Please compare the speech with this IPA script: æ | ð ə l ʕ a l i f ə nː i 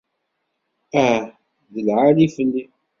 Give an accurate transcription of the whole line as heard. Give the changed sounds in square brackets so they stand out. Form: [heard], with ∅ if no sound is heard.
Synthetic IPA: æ | ð ə l ʕ a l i f ə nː i